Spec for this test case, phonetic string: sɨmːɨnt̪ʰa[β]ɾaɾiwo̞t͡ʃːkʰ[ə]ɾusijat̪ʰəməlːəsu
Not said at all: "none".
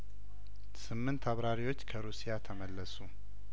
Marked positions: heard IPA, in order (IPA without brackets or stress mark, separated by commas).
β, ə